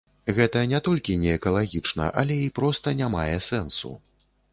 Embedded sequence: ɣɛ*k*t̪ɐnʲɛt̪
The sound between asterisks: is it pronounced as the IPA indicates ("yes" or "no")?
no